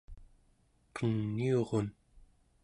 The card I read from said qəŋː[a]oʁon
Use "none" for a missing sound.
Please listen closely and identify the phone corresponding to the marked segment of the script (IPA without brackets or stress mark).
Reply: i